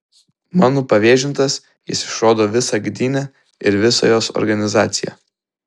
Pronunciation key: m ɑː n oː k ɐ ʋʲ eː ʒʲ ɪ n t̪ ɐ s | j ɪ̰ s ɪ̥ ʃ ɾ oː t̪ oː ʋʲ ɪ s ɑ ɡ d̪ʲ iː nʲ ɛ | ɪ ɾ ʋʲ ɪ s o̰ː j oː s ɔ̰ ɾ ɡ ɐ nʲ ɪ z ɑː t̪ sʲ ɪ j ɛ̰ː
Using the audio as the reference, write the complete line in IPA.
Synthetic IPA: m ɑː n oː p ɐ ʋʲ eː ʒʲ ɪ n t̪ ɐ s | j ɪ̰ s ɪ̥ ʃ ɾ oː d̪ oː ʋʲ ɪ s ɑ ɡ d̪ʲ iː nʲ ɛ | ɪ ɾ ʋʲ ɪ s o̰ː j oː s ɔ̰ ɾ ɡ ɐ nʲ ɪ z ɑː t̪ sʲ ɪ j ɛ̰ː